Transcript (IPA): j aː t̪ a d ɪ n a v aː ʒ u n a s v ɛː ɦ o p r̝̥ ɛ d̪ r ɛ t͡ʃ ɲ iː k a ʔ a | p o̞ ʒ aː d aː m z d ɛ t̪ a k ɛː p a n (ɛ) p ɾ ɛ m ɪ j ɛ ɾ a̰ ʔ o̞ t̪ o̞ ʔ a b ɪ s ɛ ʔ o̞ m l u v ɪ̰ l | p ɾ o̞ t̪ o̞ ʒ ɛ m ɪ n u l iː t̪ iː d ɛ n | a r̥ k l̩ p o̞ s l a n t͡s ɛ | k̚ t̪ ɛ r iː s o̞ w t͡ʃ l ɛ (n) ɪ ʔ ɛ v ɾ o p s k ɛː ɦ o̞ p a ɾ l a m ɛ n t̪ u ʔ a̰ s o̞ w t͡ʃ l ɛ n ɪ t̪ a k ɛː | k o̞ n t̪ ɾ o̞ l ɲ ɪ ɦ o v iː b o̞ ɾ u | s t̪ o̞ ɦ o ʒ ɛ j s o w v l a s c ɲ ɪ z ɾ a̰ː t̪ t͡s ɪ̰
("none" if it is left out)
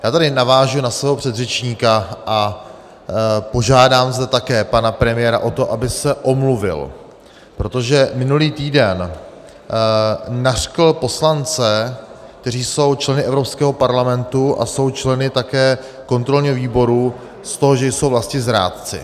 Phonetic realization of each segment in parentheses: a, n

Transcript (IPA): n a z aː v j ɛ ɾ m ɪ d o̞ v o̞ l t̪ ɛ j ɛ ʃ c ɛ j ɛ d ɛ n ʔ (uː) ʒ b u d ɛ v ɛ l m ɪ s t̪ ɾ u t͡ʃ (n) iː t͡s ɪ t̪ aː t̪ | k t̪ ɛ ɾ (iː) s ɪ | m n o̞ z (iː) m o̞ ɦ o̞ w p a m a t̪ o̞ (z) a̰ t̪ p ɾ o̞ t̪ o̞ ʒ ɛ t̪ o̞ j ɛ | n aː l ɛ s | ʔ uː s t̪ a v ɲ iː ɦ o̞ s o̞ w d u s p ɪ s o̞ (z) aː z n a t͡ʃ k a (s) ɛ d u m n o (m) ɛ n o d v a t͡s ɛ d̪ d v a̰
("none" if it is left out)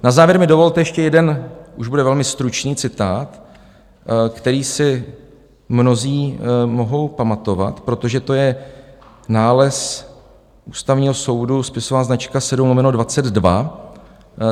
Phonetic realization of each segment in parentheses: u, n, iː, iː, v, v, s, m

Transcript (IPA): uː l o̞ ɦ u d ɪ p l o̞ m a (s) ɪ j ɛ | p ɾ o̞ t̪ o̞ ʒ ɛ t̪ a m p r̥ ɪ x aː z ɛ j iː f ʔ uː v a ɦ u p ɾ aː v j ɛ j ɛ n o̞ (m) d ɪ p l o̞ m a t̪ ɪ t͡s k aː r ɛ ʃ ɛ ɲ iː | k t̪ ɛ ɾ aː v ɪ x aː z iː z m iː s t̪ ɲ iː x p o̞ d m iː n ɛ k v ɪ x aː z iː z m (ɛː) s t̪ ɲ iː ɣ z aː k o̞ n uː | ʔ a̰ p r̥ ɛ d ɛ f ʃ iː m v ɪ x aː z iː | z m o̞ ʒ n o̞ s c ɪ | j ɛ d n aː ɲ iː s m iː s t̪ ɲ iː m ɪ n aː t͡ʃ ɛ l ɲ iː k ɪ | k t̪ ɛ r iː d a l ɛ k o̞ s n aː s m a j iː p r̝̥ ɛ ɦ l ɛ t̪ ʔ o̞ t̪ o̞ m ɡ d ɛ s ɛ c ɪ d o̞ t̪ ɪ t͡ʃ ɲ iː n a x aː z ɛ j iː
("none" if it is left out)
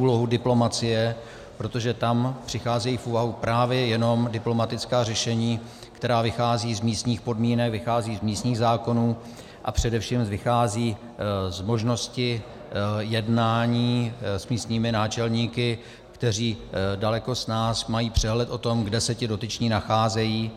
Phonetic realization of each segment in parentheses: t͡s, m, iː

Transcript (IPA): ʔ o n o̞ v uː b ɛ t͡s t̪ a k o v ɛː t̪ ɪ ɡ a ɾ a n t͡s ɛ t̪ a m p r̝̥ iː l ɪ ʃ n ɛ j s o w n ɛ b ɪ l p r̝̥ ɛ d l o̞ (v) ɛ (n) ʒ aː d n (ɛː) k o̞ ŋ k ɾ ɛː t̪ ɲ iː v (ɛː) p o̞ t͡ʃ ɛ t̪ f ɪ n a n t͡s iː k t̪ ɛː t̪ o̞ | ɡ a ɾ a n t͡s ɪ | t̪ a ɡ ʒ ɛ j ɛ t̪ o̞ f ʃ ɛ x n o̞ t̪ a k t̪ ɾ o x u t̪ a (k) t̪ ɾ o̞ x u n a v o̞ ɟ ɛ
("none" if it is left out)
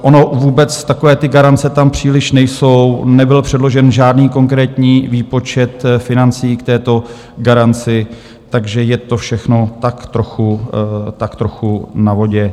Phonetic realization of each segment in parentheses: ʒ, n, iː, iː, k

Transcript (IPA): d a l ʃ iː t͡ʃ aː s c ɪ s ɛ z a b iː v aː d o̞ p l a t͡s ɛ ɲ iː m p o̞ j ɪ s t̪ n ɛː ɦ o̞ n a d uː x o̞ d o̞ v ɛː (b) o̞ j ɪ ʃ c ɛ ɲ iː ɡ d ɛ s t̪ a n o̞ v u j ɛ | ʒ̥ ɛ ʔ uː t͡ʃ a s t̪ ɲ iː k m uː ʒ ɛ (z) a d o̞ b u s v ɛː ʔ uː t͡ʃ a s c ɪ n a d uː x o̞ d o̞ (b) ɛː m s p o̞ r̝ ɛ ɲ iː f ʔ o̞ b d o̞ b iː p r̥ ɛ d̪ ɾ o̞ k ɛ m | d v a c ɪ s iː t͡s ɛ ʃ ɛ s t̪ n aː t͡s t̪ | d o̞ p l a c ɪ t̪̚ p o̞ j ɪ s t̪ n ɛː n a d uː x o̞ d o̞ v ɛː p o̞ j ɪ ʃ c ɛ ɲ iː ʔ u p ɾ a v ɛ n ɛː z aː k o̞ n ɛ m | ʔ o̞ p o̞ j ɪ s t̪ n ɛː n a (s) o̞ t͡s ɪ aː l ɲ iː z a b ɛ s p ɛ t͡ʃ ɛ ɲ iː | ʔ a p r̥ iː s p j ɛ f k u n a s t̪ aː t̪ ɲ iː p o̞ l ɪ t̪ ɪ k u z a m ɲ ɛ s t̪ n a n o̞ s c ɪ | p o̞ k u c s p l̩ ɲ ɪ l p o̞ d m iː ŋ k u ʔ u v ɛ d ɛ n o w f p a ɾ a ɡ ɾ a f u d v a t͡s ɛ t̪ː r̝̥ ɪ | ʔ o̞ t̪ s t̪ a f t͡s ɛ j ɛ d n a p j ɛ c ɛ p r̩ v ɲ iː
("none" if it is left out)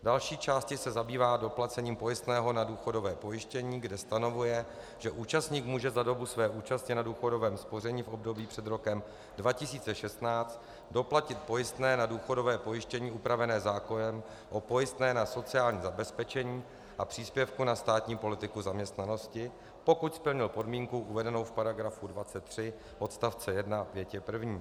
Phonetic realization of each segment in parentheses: p, z, v, s

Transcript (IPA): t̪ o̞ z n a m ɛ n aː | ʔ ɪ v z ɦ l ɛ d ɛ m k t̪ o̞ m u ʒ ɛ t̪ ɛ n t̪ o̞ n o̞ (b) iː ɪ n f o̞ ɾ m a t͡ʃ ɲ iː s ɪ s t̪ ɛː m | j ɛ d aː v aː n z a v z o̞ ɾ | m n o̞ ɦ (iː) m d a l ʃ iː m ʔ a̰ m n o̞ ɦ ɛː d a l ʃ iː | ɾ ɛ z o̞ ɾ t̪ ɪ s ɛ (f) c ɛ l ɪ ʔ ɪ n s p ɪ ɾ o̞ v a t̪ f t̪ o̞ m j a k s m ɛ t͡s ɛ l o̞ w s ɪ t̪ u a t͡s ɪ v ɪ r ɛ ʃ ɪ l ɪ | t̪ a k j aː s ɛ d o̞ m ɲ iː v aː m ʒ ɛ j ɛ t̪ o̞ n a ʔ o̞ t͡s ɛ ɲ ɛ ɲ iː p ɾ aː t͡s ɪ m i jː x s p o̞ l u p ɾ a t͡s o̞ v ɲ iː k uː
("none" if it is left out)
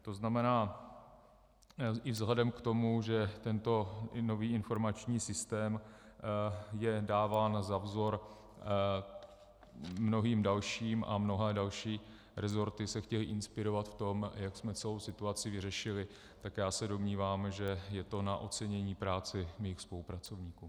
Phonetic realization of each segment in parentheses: v, iː, x

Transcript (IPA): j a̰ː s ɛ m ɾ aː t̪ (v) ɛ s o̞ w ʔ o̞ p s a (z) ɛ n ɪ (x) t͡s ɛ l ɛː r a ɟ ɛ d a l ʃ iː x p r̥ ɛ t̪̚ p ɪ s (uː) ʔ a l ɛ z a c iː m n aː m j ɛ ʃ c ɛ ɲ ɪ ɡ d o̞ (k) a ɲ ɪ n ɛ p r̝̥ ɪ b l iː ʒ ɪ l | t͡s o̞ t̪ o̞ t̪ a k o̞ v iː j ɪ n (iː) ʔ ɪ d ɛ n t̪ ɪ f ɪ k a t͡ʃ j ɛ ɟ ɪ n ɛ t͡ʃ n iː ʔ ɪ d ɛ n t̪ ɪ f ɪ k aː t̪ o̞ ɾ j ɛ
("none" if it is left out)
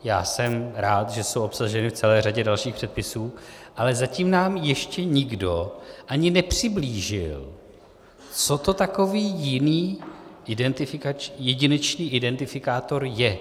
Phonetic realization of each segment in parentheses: ʒ, ʒ, f, uː, ʔ, iː

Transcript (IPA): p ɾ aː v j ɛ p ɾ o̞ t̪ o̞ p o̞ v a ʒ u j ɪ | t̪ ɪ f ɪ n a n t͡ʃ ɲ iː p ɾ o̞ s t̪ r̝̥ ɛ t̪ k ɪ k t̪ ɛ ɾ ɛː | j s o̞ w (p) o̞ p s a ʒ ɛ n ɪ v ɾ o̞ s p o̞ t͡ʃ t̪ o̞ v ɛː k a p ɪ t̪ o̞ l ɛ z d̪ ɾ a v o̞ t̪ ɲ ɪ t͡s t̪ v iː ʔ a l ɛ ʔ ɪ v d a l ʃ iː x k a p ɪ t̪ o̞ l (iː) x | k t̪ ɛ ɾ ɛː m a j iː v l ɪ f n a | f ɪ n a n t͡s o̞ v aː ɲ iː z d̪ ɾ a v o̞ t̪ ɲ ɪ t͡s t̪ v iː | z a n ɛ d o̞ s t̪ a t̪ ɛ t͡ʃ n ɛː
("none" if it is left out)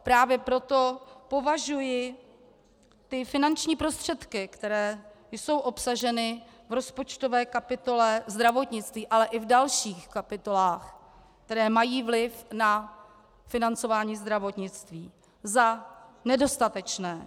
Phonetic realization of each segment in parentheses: ʔ, aː

